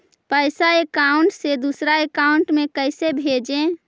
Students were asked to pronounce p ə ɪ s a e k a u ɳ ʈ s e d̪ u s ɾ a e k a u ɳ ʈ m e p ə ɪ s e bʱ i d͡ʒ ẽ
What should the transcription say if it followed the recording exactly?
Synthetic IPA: p ə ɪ s a e k a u ɳ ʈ s e d̪ u s ɾ a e k a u ɳ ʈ m e k ə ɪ s e bʱ e d͡ʒ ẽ